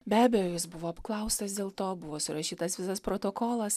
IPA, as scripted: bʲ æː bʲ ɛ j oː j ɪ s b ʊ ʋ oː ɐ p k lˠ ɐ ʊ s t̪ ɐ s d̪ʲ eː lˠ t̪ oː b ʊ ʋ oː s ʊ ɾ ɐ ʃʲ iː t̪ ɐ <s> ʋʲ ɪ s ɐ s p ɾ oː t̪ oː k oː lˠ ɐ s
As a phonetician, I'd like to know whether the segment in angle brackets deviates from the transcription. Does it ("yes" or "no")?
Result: no